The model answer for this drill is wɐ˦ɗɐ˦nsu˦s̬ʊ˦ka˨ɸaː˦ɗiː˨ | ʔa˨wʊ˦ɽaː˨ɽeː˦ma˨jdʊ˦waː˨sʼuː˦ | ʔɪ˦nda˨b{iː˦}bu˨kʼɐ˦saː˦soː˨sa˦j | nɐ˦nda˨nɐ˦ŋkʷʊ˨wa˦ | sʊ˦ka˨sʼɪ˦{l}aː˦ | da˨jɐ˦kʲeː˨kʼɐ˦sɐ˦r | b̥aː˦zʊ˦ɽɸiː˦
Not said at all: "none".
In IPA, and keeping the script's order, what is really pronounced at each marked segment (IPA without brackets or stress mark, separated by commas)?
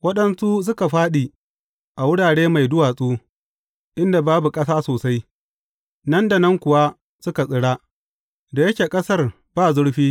aː˦, ɽ